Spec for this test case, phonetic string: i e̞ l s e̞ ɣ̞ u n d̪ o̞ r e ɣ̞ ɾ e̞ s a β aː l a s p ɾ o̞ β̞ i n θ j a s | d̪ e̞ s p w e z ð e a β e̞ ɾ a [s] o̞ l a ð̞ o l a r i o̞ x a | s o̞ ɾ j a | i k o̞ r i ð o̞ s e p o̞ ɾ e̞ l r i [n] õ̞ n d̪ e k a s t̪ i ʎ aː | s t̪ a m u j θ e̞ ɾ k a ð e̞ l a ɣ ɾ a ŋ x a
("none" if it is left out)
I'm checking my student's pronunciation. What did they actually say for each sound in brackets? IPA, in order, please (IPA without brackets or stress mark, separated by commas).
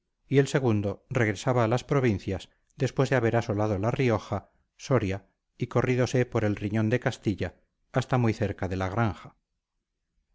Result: s, ɲ